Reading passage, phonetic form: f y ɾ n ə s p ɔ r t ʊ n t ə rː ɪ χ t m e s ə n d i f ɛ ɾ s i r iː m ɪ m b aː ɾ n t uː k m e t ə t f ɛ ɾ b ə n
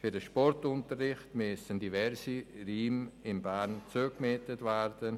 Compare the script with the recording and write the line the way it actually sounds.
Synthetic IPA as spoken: f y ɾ d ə ʃ p ɔ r t ʊ n t ə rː ɪ χ t m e s ə n d i v ɛ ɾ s i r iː m ɪ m b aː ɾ n t͡s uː k m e t ə t v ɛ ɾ d ə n

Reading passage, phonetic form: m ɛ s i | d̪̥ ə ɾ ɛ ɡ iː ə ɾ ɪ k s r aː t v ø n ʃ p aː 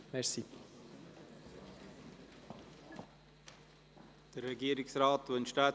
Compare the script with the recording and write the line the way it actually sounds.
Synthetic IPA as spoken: m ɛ s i | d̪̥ ə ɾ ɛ ɡ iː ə ɾ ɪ k s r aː t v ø n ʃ t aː

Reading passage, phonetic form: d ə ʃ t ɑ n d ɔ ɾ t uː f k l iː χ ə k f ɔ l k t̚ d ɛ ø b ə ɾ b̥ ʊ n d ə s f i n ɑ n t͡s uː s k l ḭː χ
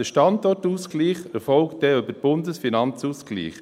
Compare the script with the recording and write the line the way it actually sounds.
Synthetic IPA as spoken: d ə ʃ t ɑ n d ɔ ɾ t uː s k l iː χ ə f ɔ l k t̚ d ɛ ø b ə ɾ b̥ ʊ n d ə s f i n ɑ n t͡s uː s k l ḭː χ

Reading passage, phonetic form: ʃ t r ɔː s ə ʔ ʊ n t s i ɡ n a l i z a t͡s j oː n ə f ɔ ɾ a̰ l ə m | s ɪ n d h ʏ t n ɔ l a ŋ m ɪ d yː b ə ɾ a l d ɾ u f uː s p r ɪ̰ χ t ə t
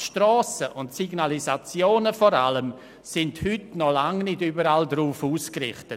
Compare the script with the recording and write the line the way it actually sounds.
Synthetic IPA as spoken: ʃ t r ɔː s ə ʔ ʊ n t s i ɡ n a l i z a t͡s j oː n ə f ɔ ɾ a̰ l ə m | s ɪ n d h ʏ t n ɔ l a ŋ n ɪ d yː b ə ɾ a l d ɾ uː f uː s k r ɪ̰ χ t ə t

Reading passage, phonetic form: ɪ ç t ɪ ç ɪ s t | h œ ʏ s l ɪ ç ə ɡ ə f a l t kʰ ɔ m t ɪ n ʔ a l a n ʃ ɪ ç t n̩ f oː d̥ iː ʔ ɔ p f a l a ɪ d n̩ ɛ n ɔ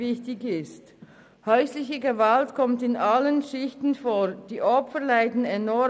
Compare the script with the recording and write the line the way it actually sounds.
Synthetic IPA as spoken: ɪ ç t ɪ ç ɪ s t | h œ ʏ s l ɪ ç ə ɡ ə v a l t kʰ ɔ m t ɪ n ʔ a l ə n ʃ ɪ ç t n̩ f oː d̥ iː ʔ ɔ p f ə l a ɪ d n̩ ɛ n ɔ

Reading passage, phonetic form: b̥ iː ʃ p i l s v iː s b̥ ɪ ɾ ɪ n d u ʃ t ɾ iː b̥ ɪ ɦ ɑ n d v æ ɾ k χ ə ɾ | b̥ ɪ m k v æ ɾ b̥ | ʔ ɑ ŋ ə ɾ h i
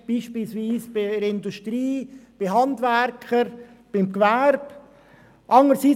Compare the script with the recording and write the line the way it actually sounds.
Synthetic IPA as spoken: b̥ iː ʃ p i l s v iː s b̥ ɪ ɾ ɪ n d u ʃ t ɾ iː b̥ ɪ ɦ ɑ n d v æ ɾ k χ ə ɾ | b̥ ɪ m k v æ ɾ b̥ | ʔ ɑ ŋ ə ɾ s i

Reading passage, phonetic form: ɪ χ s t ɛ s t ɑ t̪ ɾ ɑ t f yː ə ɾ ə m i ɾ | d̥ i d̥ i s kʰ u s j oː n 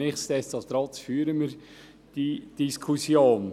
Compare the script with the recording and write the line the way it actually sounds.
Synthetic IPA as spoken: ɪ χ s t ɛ s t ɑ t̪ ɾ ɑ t f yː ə ɾ ə m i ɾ | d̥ i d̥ i s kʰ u s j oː n

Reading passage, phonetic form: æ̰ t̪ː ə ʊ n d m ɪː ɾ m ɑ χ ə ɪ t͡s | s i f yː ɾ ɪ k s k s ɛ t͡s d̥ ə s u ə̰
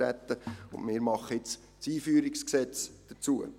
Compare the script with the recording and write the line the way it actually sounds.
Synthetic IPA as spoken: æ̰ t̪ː ə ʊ n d m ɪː ɾ m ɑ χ ə ɪ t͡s | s iː f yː ɾ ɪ k s k s ɛ t͡s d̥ ə t͡s u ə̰

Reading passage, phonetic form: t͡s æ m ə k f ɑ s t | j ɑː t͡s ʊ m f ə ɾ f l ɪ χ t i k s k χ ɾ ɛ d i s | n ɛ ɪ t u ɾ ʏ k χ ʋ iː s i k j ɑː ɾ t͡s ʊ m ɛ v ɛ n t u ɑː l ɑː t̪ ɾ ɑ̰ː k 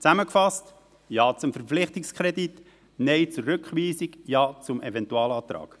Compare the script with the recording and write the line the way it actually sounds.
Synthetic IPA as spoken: t͡s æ m ə k f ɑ s t | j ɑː t͡s ʊ m f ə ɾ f l ɪ χ t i k s k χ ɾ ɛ d i t | n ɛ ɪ t͡s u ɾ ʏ k χ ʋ iː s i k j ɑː t͡s ʊ m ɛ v ɛ n t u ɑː l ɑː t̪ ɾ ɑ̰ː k

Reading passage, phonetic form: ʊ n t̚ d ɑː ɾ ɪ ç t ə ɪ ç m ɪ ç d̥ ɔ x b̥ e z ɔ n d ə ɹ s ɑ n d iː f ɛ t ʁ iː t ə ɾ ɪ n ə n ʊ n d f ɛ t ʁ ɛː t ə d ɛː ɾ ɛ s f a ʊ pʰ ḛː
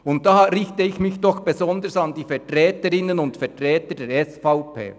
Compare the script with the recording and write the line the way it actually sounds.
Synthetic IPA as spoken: ʊ n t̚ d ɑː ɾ ɪ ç t ə ɪ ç m ɪ ç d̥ ɔ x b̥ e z ɔ n d ə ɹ s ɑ n d iː f ɛ t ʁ ɛː t ə ɾ ɪ n ə n ʊ n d f ɛ t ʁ ɛː t ə d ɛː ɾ ɛ s f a ʊ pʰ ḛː

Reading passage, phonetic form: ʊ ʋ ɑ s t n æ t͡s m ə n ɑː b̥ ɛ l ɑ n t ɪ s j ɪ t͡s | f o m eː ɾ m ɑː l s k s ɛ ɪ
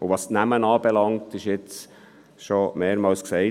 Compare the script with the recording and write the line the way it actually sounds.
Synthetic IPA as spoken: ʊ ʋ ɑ s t n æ m ə n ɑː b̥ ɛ l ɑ ŋ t ɪ ʃ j ɪ t͡s | ʃ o m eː ɾ m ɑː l s k s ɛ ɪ

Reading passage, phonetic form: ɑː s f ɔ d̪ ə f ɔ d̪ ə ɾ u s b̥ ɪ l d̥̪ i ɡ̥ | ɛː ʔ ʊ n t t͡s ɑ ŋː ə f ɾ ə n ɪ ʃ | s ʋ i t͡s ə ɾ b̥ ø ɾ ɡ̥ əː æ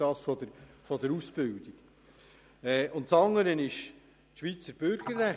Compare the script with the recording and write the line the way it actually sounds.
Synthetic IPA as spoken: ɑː s f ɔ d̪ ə f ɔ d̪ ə ɾ u s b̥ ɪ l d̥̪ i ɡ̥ | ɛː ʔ ʊ n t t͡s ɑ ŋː ə ɾ ə n ɪ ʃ | ʃ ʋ i t͡s ə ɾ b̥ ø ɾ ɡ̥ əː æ

